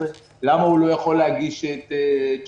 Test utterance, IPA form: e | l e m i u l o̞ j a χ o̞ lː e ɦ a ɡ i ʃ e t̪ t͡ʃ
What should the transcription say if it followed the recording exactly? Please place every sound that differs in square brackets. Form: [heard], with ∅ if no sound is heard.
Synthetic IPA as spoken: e | l [a] m [a] u l o̞ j a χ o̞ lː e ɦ a ɡ i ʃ e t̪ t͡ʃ